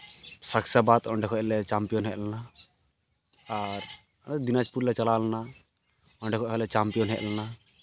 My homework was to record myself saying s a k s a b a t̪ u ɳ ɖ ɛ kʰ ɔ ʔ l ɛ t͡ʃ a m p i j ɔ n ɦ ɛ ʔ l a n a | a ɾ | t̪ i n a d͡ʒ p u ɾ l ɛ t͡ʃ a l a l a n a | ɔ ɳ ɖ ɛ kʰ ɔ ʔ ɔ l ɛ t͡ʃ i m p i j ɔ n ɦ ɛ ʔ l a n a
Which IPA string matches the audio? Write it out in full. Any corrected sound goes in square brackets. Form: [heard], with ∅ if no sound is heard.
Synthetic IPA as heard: s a k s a b a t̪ [ɔ] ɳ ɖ ɛ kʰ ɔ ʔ l ɛ t͡ʃ a m p i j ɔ n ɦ ɛ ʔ l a n a | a ɾ | [d̪] i n a d͡ʒ p u ɾ l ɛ t͡ʃ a l a l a n a | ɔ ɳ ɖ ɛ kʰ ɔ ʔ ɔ l ɛ t͡ʃ [a] m p i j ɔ n ɦ ɛ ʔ l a n a